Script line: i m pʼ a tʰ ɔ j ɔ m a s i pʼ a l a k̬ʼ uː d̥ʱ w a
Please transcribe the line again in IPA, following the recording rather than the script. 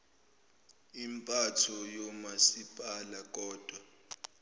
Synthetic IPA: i m pʼ a tʰ ɔ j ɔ m a s i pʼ a l a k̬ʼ ɔː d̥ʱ w a